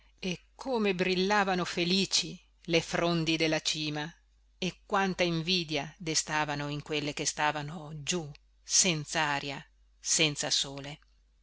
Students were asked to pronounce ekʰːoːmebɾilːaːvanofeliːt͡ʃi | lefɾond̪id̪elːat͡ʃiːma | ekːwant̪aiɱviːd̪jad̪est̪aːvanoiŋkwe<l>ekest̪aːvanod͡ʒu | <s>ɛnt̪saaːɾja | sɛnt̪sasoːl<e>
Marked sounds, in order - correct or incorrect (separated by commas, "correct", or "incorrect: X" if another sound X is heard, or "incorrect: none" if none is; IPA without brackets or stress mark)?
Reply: incorrect: lː, correct, correct